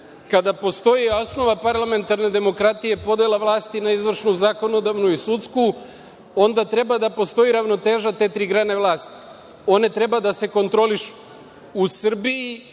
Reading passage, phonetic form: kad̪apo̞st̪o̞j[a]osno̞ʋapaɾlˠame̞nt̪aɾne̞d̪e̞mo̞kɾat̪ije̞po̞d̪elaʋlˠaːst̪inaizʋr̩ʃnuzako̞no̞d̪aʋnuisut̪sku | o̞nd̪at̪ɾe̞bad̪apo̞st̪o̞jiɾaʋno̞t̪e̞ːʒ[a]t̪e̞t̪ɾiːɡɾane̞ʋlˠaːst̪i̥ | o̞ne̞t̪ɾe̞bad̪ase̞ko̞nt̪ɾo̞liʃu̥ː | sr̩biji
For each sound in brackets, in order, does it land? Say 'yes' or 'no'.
no, yes

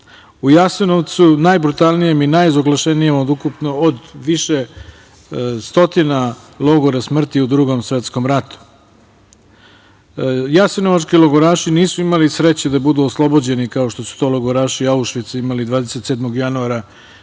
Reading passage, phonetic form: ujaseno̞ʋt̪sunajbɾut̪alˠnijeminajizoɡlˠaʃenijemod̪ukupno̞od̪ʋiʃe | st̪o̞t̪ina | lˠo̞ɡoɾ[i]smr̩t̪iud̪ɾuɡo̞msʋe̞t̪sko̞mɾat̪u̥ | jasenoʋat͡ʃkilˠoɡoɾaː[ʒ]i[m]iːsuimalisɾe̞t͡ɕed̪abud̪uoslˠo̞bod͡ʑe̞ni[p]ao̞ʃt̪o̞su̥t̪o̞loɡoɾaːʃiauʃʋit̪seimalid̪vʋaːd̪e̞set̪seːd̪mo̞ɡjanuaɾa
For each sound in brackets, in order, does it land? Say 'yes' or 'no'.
no, no, no, no

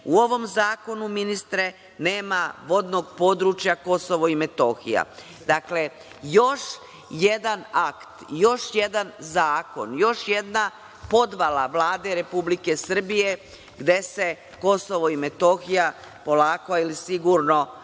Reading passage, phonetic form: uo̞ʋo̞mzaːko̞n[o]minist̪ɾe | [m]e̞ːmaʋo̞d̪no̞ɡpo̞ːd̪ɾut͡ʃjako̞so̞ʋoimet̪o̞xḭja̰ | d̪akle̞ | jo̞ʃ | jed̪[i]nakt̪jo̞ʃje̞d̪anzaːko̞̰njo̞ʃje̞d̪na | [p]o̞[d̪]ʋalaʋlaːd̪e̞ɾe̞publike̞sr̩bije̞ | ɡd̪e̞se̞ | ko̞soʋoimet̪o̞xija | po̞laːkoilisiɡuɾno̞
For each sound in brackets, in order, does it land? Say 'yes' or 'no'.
no, no, no, yes, yes

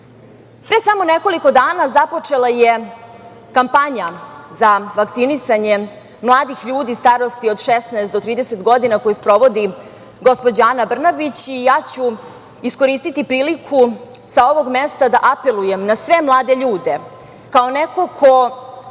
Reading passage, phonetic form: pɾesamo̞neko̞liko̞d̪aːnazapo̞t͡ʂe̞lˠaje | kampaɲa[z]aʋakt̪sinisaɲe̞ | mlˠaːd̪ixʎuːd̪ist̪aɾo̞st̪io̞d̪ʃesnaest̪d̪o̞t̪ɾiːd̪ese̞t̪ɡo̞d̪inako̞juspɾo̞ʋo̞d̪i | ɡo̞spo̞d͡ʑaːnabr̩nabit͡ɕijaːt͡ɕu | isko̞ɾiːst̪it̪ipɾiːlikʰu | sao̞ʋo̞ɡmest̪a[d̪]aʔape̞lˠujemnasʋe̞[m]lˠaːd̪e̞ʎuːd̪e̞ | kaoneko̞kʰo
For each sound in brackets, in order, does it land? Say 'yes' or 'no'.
yes, yes, yes

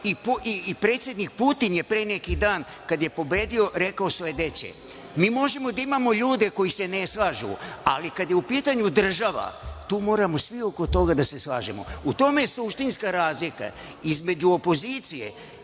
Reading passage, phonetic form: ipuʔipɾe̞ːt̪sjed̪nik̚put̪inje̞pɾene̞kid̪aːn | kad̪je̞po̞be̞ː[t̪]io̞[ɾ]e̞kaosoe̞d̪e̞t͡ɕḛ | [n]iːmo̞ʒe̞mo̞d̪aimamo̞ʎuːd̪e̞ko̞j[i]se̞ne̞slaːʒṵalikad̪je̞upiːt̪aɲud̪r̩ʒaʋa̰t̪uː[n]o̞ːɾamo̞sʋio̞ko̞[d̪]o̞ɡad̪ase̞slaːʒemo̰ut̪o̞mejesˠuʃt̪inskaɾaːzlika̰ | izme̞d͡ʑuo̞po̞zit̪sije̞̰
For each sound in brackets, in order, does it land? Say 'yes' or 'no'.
no, yes, no, yes, no, no

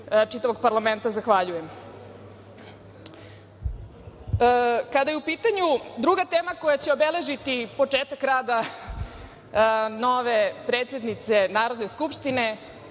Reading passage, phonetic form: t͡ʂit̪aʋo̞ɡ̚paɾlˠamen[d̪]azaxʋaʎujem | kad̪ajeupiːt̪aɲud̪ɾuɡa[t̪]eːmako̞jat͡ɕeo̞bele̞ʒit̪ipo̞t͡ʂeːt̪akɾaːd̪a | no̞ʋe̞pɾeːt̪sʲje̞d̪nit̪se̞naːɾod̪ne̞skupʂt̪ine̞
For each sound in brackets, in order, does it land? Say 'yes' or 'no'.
no, yes

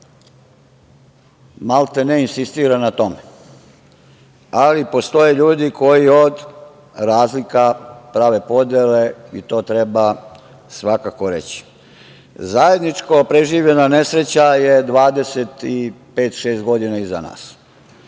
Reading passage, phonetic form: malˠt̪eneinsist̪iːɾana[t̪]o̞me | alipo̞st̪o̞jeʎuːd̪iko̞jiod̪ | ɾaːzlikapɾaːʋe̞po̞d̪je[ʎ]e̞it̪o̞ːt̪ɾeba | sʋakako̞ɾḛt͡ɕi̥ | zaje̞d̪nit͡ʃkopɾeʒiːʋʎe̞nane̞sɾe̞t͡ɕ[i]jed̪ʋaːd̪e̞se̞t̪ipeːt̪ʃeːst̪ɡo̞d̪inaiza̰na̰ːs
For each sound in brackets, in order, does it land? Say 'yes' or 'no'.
yes, no, no

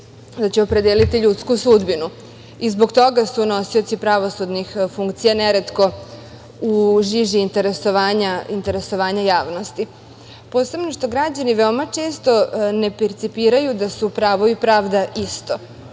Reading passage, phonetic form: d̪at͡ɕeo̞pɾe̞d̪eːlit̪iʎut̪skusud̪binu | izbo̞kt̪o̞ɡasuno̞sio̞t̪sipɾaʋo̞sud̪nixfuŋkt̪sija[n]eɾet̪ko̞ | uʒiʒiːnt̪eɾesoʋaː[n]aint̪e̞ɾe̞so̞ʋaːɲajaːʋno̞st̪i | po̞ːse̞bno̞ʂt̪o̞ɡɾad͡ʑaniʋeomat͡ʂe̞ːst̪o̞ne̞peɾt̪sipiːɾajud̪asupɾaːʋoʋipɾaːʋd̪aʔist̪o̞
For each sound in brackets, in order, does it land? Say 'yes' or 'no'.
yes, no

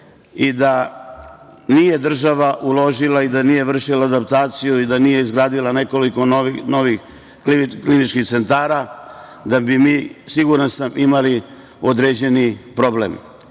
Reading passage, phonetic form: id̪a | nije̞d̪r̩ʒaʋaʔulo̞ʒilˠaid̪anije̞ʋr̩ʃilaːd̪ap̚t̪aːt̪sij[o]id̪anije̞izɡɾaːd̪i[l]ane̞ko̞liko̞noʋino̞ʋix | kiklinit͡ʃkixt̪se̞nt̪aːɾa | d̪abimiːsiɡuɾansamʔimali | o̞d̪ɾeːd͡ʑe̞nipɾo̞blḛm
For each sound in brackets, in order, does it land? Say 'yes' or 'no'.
no, yes

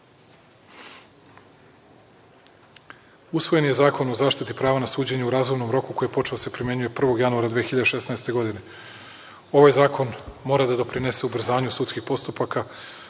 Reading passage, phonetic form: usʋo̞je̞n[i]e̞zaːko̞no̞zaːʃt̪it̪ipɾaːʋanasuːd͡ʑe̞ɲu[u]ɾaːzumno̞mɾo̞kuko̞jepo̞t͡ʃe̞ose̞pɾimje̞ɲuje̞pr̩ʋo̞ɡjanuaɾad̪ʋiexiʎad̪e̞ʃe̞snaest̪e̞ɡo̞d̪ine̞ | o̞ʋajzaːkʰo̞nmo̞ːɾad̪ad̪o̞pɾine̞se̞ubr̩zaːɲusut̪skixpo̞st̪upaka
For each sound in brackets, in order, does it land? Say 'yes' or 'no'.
no, yes

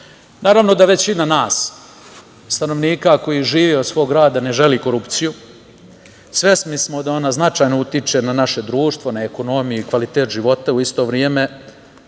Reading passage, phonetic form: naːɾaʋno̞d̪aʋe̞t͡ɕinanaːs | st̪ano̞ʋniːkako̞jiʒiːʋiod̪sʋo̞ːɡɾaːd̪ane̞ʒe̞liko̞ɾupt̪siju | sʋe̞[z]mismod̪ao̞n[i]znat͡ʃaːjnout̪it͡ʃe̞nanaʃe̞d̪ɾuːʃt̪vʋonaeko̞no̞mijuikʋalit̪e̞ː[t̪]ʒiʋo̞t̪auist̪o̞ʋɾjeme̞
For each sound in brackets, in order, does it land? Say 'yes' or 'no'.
no, no, yes

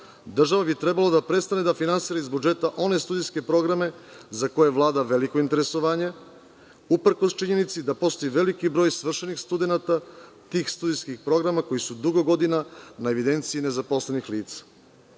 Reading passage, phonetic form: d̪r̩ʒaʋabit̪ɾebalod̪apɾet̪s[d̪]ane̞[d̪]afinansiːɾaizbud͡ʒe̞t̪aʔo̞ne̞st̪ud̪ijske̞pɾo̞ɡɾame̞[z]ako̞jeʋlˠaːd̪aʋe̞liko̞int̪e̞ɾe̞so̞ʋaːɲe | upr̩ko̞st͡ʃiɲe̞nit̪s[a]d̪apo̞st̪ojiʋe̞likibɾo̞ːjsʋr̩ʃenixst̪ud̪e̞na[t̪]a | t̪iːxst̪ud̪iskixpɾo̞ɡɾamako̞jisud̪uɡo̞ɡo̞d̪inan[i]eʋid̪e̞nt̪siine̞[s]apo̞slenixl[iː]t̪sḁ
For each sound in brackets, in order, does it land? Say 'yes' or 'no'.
no, yes, yes, no, yes, no, no, yes

